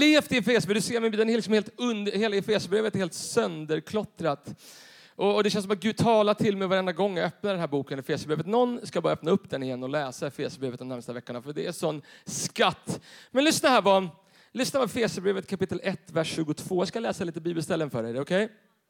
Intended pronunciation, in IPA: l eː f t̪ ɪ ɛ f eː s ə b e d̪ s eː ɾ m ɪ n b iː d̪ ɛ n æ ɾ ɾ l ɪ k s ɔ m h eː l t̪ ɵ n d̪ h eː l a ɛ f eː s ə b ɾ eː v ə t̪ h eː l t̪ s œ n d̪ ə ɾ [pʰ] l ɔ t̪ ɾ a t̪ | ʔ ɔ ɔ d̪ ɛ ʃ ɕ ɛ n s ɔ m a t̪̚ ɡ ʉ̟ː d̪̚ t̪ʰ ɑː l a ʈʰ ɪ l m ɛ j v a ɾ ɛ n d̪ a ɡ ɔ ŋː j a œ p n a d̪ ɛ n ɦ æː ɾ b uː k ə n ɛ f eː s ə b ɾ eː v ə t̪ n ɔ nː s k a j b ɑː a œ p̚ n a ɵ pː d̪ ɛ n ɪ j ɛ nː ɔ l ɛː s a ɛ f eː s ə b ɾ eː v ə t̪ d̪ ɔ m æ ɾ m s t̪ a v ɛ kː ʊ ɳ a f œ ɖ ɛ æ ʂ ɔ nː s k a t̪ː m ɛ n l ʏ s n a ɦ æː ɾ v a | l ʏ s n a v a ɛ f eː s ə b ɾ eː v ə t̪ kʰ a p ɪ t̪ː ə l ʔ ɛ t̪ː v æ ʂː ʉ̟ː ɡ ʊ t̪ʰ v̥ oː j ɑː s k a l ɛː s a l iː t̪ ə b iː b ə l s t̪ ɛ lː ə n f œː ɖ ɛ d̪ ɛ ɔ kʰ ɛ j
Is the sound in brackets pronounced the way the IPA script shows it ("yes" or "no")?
no